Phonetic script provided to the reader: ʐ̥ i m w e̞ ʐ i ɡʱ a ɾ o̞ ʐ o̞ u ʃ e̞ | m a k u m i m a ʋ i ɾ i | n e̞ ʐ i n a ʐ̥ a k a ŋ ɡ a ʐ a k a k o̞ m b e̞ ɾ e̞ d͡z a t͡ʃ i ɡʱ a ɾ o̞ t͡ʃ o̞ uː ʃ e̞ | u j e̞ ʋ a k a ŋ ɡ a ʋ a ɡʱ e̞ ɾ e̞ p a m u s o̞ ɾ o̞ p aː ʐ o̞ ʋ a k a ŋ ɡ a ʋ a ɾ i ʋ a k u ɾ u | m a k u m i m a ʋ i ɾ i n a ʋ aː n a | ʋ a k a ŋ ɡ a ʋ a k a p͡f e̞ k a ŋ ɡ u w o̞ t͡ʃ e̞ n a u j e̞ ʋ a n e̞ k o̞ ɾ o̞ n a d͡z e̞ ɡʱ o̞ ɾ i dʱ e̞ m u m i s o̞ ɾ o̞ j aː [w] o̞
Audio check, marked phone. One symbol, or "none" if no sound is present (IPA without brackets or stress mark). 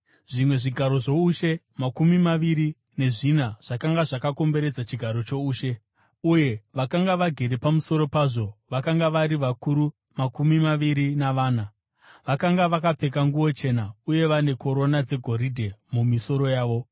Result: ʋ